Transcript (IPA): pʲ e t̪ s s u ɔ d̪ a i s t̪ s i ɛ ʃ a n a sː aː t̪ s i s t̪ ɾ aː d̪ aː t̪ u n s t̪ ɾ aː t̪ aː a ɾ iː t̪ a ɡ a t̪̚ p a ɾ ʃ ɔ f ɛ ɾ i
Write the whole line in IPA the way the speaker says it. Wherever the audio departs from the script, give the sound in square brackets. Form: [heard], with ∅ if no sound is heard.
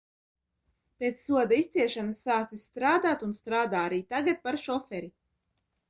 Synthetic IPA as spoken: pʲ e t̪ s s u ɔ d̪ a i s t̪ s i ɛ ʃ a n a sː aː t̪ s i s t̪ ɾ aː d̪ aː t̪ u n s t̪ ɾ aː [d̪] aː a ɾ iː t̪ a ɡ a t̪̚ p a ɾ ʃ ɔ f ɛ ɾ i

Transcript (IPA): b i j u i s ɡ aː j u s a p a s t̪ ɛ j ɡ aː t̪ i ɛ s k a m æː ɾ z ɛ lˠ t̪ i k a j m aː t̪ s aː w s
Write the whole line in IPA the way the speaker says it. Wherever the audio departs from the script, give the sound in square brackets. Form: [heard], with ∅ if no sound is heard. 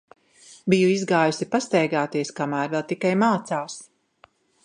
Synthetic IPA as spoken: b i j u i [z] ɡ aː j u s [i] p a s t̪ ɛ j ɡ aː t̪ i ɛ s k a m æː ɾ [v] ɛ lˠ t̪ i k a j m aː t̪ s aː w s

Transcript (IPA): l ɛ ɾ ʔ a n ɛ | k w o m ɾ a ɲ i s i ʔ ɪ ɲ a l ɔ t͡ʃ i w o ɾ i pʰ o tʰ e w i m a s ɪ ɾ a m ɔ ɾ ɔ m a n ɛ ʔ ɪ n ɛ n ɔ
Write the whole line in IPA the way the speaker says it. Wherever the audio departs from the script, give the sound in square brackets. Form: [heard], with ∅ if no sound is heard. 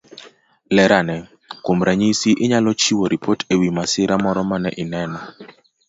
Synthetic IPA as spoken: l ɛ ɾ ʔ a n ɛ | k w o m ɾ a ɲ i s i ʔ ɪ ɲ a l ɔ t͡ʃ i w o ɾ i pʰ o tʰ e w i m a s ɪ ɾ a m ɔ ɾ ɔ m a n ɛ ʔ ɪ n ɛ n ɔ

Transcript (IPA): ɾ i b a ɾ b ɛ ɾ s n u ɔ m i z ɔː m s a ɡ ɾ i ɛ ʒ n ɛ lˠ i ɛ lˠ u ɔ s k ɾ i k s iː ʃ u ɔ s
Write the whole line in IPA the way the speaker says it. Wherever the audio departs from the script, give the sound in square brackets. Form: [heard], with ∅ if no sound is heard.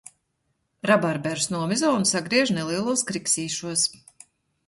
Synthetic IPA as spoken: ɾ [a] b a ɾ b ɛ ɾ s n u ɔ m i z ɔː [n] s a ɡ ɾ i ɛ ʒ n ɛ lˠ i ɛ lˠ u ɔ s k ɾ i k s iː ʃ u ɔ s

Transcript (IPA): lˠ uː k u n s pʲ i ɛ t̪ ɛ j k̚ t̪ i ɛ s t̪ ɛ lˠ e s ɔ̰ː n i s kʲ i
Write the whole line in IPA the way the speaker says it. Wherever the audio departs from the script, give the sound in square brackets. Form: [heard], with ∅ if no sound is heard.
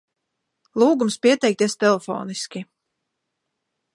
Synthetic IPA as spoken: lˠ uː [ɡ] u [m] s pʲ i ɛ t̪ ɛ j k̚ t̪ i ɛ s t̪ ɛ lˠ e [f] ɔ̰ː n i s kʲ i

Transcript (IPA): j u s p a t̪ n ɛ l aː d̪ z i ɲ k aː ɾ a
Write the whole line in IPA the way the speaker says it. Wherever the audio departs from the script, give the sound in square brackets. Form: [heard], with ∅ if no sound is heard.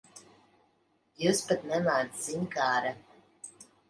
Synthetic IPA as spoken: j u s p a t̪ n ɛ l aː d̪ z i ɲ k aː ɾ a

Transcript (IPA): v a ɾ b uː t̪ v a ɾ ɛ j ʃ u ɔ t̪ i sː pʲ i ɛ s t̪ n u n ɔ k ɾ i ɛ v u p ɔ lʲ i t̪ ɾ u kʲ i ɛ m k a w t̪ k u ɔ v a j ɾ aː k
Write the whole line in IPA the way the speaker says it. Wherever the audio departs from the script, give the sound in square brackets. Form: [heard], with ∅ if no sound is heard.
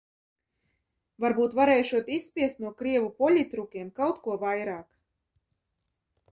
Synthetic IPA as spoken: v a ɾ b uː t̪ v a ɾ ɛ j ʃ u ɔ t̪ i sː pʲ i ɛ s t̪ n u [∅] ɔ k ɾ i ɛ v u p ɔ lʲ i t̪ ɾ u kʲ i ɛ m k a w t̪ k u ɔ v a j ɾ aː k

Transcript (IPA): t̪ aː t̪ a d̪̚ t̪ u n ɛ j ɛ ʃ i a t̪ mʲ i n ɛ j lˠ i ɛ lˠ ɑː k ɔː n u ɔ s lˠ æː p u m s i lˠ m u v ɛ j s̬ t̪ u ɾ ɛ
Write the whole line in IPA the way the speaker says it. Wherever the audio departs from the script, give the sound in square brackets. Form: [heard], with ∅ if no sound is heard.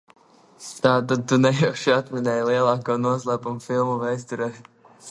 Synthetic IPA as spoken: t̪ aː t̪ a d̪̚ t̪ u n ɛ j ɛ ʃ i a t̪ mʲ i n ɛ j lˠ i ɛ lˠ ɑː k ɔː n u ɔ s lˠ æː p u m [f] i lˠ m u v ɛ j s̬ t̪ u ɾ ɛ

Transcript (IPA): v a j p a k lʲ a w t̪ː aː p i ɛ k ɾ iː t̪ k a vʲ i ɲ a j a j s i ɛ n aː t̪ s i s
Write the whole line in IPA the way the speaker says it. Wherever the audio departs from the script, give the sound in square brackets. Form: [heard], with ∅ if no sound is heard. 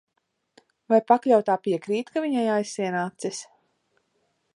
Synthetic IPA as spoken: v a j p a k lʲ a w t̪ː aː p i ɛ k ɾ iː t̪ k a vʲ i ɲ a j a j s i ɛ n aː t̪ s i s

